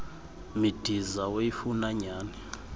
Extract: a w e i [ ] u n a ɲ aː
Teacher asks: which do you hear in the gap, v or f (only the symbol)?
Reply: f